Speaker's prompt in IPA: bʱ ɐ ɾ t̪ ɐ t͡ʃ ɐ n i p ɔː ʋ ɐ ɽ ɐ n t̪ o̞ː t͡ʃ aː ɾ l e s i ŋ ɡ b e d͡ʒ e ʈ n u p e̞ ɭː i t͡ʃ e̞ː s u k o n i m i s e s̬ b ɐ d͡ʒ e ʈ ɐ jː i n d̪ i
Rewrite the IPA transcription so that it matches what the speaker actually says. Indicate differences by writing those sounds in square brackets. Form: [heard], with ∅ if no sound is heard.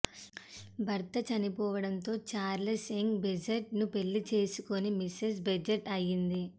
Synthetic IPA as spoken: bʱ ɐ ɾ t̪ ɐ t͡ʃ ɐ n i p ɔː ʋ ɐ ɽ ɐ n t̪ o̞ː t͡ʃ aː ɾ l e s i ŋ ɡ b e d͡ʒ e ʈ n u p e̞ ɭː i t͡ʃ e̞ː s u k o n i m i s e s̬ b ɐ d͡ʒ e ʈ ɐ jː i n d̪ i